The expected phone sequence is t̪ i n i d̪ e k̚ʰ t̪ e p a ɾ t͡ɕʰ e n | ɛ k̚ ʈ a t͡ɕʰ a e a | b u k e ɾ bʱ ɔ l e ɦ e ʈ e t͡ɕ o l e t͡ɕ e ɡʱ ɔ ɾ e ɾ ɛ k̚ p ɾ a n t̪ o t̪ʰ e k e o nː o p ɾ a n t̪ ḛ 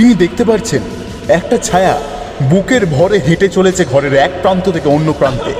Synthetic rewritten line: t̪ i n i d̪ e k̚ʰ t̪ e p a ɾ t͡ɕʰ e n | ɛ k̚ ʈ a t͡ɕʰ a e a | b u k e ɾ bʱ ɔ ɾ e ɦ e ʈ e t͡ɕ o l e t͡ɕʰ e ɡʱ ɔ ɾ e ɾ ɛ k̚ p ɾ a n t̪ o t̪ʰ e k e o nː o p ɾ a n t̪ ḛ